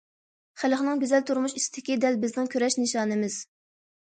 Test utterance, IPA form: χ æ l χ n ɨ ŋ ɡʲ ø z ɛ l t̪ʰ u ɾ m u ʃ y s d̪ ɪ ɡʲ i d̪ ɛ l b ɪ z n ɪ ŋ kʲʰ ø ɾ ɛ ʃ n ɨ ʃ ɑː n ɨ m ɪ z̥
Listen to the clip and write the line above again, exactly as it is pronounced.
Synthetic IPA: χ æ l χ n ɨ ŋ ɡʲ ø z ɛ l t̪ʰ u ɾ m u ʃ i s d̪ ɪ kʲ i d̪ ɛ l b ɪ z n ɪ ŋ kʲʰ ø ɾ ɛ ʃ n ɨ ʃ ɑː n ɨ m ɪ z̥